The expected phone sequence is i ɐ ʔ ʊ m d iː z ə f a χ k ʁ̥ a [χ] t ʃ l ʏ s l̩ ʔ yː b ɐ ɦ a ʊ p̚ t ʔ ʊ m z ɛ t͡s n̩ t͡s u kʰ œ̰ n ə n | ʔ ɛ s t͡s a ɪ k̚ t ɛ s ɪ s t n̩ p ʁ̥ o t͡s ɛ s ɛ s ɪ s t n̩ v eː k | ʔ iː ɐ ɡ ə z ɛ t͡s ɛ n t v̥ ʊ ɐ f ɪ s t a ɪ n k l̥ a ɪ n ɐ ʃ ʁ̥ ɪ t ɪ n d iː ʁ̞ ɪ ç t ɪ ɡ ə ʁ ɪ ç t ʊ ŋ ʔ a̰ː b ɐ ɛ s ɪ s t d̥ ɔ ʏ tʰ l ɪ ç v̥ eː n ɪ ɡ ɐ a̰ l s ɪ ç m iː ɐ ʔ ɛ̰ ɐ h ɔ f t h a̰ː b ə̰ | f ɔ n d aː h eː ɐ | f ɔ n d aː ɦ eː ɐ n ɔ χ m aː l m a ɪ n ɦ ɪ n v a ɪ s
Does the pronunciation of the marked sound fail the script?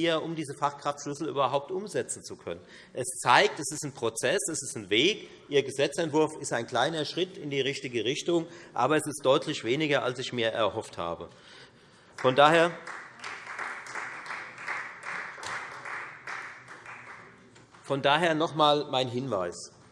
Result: yes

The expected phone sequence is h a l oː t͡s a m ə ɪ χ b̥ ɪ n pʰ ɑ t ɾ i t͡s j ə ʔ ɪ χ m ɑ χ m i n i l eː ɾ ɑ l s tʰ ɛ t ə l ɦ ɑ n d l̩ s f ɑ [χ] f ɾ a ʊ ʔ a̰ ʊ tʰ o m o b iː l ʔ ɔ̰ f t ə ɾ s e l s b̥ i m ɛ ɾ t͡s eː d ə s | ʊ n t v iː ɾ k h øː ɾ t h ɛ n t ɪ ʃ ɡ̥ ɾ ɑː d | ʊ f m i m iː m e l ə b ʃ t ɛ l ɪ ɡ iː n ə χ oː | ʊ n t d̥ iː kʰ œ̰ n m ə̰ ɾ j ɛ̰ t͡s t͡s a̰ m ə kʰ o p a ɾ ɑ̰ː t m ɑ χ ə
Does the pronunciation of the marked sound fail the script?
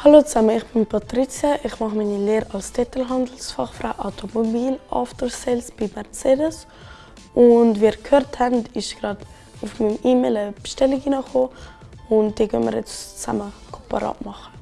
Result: no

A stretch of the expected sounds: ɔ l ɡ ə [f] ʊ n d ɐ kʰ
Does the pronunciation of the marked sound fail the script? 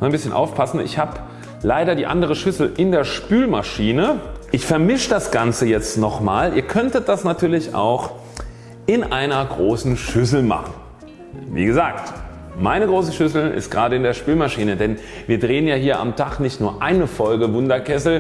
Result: yes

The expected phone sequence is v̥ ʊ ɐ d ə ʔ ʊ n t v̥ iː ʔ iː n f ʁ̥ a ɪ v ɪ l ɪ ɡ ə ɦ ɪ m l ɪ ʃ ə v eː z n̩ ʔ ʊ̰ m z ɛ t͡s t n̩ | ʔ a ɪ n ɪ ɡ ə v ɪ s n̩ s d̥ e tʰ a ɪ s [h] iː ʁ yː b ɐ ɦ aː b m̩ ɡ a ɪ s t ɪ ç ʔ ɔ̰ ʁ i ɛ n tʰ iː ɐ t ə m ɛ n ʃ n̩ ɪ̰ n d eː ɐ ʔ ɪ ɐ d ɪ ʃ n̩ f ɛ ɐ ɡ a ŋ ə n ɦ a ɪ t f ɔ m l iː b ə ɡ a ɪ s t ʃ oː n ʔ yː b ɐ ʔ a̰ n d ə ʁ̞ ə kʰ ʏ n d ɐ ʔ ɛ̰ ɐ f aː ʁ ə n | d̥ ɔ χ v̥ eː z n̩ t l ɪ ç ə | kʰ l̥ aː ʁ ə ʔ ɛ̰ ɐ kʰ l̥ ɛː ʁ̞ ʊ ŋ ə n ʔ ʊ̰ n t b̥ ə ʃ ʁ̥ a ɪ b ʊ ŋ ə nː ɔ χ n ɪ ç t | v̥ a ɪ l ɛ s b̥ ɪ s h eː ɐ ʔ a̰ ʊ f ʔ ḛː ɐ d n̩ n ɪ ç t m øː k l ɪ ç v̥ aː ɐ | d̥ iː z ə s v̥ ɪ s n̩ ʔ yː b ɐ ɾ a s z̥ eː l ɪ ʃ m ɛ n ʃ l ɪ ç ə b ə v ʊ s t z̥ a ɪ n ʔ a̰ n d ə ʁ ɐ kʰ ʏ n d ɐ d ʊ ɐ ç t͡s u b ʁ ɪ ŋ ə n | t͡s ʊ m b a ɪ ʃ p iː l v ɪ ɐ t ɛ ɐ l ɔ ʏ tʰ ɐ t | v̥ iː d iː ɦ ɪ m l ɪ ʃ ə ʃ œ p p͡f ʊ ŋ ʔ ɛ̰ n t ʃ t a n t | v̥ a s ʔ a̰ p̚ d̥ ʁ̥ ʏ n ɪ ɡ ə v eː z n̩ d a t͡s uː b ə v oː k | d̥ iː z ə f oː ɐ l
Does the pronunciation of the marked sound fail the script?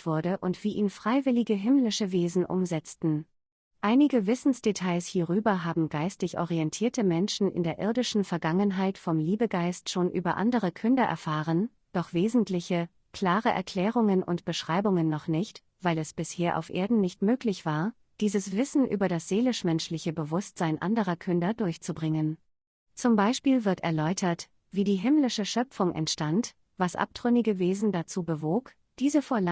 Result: no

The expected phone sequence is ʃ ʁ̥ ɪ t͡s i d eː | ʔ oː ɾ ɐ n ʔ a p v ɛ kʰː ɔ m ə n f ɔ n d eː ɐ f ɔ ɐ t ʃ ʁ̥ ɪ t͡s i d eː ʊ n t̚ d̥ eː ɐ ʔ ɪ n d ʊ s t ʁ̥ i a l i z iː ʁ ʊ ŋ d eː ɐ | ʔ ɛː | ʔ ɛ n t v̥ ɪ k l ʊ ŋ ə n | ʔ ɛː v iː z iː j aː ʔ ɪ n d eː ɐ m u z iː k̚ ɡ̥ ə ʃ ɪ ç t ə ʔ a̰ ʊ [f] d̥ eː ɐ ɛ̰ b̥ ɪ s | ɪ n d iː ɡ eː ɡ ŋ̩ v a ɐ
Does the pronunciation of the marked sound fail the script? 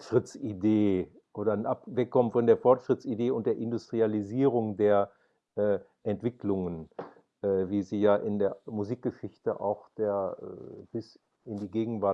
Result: yes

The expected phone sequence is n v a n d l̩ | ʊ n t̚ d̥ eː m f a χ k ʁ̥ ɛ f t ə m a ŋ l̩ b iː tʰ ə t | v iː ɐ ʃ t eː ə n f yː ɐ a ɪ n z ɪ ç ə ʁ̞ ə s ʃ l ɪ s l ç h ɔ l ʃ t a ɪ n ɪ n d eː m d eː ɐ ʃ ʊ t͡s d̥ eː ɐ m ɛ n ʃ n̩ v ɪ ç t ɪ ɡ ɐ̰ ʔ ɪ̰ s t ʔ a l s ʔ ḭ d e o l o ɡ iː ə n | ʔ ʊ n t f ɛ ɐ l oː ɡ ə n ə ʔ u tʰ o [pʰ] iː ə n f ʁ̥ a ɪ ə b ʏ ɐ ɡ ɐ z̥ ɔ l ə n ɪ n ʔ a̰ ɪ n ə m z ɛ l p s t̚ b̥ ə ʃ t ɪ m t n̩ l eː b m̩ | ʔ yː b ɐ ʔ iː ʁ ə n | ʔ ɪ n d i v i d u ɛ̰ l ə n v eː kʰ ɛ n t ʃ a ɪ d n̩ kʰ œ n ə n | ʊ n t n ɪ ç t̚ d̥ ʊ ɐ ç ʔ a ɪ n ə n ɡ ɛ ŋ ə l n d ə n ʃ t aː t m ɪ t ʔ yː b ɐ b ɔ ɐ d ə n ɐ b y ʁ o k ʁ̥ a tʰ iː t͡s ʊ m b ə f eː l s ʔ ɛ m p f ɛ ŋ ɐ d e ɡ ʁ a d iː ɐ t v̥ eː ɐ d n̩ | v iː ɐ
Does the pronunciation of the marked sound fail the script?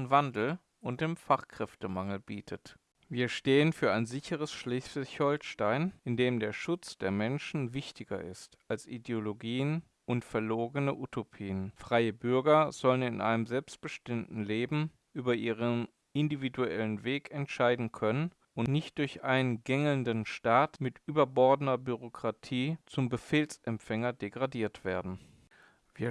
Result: no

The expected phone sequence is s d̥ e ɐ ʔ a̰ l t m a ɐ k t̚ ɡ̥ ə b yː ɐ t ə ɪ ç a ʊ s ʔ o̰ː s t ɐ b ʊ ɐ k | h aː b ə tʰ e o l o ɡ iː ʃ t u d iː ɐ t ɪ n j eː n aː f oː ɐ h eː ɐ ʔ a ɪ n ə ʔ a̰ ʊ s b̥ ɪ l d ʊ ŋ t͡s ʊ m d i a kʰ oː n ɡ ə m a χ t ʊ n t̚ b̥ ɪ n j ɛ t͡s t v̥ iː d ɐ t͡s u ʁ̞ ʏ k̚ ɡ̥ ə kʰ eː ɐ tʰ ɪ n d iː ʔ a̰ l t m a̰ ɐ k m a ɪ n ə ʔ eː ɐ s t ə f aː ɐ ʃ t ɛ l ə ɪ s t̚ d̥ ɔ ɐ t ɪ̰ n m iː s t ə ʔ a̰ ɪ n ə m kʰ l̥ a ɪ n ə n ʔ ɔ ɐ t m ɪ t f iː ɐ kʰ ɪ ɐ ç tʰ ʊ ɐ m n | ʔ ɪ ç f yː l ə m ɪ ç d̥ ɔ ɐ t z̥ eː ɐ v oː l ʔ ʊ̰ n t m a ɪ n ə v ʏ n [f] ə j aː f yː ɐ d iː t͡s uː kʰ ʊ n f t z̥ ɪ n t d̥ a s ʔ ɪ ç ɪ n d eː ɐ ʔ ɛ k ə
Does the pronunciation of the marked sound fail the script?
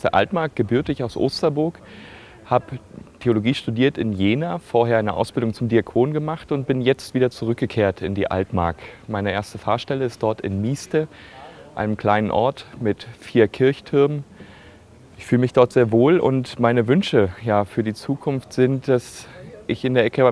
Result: yes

